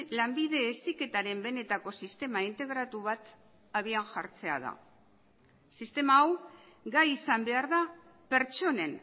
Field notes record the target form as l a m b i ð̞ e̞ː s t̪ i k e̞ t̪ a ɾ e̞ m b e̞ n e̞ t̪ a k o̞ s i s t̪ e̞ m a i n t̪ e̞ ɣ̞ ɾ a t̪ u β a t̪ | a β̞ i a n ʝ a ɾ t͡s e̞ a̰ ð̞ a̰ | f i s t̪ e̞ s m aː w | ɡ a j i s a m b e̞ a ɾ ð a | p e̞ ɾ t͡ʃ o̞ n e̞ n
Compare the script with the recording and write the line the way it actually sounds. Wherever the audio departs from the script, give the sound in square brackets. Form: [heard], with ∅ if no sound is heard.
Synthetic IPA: l a m b i ð̞ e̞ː s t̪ i k e̞ t̪ a ɾ e̞ m b e̞ n e̞ t̪ a k o̞ s i s t̪ e̞ m a i n t̪ e̞ ɣ̞ ɾ a t̪ u β a t̪ | a β̞ i a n ʝ a ɾ t͡s e̞ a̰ ð̞ a̰ | [s] i s t̪ e̞ [∅] m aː w | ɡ a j i s a m b e̞ a ɾ ð a | p e̞ ɾ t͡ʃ o̞ n e̞ n